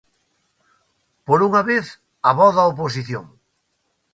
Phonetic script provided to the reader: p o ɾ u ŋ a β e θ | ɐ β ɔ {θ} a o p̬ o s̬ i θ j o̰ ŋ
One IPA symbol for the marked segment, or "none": ð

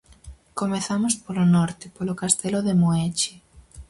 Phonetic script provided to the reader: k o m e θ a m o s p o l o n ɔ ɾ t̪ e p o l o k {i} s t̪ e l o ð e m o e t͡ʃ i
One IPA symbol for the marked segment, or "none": a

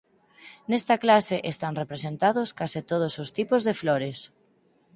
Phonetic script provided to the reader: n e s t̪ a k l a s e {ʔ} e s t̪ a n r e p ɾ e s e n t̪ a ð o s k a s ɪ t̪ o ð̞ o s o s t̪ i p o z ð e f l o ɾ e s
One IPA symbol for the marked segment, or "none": ʔ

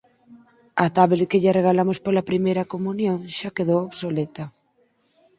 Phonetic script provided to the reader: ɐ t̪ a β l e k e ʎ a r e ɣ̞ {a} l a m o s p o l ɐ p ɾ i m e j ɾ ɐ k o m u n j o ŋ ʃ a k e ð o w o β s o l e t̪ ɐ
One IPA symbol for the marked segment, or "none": a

